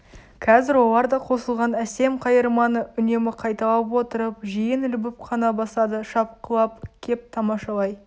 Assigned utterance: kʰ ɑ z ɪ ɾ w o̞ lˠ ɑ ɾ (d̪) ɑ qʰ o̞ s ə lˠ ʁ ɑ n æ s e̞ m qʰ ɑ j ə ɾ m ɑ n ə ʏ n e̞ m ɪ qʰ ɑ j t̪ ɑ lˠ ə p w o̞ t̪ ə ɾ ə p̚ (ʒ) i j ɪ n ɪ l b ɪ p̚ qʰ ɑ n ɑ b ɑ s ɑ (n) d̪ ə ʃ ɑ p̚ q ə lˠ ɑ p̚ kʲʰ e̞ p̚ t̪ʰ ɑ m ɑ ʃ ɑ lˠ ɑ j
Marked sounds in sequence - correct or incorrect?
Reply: correct, correct, incorrect: none

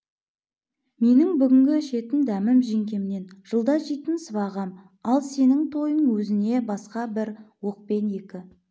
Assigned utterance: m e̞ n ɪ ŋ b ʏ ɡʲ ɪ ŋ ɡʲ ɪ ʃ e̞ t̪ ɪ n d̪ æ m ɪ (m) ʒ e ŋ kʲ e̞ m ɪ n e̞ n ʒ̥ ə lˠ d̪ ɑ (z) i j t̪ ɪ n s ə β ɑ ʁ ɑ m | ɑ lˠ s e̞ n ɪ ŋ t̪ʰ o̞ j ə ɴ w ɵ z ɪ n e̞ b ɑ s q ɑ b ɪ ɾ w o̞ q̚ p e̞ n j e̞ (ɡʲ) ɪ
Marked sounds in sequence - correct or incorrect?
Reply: correct, incorrect: ʒ, incorrect: kʲ

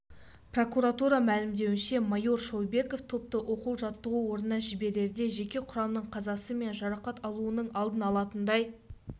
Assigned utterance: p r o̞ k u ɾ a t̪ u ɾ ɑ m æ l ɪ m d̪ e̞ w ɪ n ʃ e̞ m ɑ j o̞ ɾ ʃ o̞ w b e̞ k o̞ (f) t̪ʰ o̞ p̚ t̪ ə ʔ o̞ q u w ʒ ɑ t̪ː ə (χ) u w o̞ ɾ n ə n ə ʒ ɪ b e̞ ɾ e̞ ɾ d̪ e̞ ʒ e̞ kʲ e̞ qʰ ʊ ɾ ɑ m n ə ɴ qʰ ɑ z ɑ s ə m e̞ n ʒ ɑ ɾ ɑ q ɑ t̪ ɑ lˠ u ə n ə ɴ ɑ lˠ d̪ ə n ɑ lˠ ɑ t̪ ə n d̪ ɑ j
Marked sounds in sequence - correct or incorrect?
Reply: correct, incorrect: ʁ

